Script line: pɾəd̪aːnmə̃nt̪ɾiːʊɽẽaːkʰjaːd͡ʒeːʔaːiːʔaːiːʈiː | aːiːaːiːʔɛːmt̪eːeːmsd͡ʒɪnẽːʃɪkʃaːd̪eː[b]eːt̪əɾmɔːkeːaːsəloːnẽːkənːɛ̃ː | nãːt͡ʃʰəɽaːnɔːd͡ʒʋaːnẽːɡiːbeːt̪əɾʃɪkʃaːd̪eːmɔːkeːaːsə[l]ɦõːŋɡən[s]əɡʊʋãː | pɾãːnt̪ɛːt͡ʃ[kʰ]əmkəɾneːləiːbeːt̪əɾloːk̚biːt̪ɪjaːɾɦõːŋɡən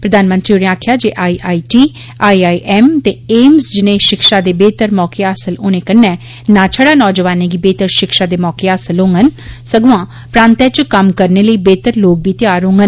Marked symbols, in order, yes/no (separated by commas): yes, yes, yes, no